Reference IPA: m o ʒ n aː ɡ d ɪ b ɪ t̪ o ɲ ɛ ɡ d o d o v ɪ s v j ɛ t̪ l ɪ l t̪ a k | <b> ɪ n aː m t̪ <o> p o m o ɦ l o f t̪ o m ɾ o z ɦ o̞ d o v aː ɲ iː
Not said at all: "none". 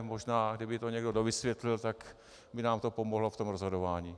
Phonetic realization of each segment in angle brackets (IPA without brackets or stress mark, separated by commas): b, o